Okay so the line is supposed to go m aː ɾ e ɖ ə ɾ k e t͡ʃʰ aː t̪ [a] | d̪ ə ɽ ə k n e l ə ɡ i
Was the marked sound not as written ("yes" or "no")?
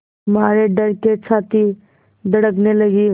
yes